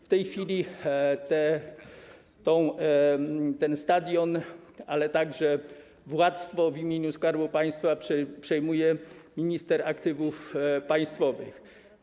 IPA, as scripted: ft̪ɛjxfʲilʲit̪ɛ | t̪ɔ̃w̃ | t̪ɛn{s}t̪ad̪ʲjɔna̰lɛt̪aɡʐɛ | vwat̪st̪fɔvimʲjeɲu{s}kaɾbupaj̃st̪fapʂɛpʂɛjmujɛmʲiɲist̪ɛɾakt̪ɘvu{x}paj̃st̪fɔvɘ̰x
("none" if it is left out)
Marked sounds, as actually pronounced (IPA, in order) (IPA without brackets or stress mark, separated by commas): s, s, f